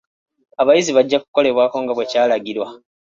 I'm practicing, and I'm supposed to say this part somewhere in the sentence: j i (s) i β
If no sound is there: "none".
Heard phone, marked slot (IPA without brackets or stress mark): z